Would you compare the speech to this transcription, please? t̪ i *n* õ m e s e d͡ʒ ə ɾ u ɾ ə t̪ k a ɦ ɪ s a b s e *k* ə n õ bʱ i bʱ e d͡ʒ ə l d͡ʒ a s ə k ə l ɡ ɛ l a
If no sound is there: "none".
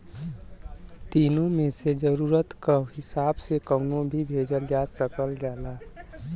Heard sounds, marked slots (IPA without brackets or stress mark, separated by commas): n, k